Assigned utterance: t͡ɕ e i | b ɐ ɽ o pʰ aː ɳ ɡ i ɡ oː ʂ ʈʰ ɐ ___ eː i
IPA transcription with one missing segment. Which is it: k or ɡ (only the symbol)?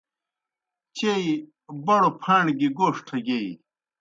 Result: ɡ